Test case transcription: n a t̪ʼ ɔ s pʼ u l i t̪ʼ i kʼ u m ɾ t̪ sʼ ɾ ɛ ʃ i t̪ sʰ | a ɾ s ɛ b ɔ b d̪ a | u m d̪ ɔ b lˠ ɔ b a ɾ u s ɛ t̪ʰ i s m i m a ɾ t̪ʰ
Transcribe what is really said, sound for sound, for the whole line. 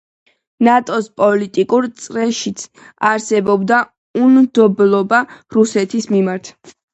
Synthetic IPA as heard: n a t̪ʼ ɔ s pʼ ɔ l i t̪ʼ i kʼ u ɾ t̪ sʼ ɾ ɛ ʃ i t̪ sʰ | a ɾ s ɛ b ɔ b d̪ a | u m d̪ ɔ b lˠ ɔ b a ɾ u s ɛ t̪ʰ i s m i m a ɾ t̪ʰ